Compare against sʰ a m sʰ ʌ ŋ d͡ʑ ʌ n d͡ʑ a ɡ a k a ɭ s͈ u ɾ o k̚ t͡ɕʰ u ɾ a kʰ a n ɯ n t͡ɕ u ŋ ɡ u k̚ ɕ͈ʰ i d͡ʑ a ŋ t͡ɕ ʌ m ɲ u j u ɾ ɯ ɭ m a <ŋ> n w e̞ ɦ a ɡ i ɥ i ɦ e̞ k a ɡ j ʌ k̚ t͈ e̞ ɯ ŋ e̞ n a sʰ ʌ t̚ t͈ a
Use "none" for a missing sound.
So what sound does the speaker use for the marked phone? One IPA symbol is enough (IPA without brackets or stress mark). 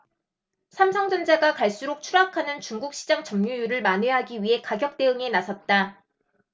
none